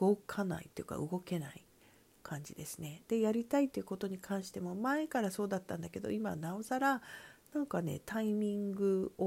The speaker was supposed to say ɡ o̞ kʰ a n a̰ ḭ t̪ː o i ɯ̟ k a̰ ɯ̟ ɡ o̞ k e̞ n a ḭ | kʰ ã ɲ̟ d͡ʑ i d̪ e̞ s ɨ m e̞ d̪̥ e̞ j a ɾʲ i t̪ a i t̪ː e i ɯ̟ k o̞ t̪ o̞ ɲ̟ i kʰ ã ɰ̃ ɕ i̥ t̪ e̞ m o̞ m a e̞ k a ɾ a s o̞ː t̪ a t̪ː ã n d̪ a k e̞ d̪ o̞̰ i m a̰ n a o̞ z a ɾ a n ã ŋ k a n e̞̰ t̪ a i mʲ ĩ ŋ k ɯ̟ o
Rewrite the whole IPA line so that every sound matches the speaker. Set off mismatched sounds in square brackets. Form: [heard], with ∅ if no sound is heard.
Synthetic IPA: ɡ o̞ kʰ a n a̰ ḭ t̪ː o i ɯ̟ k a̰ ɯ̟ ɡ o̞ k e̞ n a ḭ | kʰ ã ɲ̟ d͡ʑ i d̪ e̞ s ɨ [n] e̞ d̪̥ e̞ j a ɾʲ i t̪ a i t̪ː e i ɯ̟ k o̞ t̪ o̞ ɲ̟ i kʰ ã ɰ̃ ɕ i̥ t̪ e̞ m o̞ m a e̞ k a ɾ a s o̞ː [d̪] a t̪ː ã n d̪ a k e̞ d̪ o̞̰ i m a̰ n a o̞ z a ɾ a n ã ŋ k a n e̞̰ t̪ a i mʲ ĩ ŋ [ɡ] ɯ̟ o